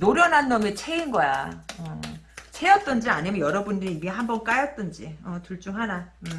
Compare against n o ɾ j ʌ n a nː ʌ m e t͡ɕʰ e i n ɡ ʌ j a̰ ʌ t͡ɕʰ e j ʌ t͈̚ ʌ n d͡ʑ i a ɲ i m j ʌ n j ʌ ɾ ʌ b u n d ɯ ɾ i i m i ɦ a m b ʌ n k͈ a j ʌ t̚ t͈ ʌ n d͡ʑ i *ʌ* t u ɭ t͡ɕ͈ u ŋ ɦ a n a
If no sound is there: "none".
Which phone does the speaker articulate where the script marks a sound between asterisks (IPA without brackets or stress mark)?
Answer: ʌ